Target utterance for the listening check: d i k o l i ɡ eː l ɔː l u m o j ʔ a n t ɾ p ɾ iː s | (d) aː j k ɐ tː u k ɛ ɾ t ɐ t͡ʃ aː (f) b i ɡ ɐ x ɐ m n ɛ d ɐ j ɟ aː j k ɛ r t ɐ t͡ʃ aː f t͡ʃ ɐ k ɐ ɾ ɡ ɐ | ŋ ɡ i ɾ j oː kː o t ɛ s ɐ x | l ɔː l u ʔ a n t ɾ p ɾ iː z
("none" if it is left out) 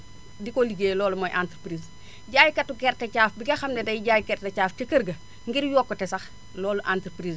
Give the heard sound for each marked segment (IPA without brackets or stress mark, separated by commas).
ɟ, f